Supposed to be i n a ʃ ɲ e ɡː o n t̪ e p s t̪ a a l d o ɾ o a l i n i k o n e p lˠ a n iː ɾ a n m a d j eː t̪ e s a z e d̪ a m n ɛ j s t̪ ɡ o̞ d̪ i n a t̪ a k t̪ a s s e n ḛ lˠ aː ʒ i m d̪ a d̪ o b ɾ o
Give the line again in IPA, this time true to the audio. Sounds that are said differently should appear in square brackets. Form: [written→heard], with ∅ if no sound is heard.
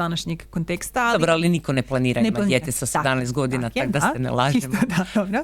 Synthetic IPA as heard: [i→a] n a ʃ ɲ e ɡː o n t̪ e [p→k] s t̪ a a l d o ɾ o a l i n i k o n e p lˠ a n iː ɾ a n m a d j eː t̪ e s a [z→s] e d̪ a m n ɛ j s t̪ ɡ o̞ d̪ i n a t̪ a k [t̪→d̪] a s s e n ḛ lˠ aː ʒ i m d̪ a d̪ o b ɾ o